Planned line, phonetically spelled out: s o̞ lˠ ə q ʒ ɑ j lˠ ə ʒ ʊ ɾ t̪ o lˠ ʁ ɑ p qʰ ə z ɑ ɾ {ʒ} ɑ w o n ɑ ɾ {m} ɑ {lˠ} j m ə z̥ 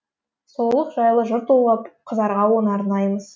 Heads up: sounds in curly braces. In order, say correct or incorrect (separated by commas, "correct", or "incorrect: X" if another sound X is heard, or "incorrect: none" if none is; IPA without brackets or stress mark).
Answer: incorrect: ʁ, incorrect: n, incorrect: none